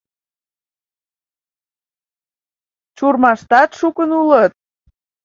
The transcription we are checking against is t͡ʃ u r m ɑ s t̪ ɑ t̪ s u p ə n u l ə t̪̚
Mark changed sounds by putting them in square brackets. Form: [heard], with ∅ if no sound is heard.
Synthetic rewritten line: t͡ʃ u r m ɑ [ʃ] t̪ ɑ t̪ [ʃ] u [k] ə n u l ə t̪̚